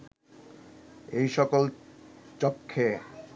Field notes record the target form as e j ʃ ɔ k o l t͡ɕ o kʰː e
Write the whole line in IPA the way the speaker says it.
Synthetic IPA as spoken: e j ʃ ɔ k o l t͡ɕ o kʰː e